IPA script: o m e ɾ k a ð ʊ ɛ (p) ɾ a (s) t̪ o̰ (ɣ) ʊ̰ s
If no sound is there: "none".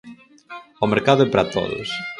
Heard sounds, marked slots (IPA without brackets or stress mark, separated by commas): p, none, ð